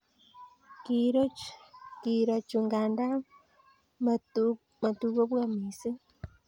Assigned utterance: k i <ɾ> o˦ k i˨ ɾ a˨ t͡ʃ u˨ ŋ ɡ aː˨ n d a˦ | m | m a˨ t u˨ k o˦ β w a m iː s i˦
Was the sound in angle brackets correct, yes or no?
yes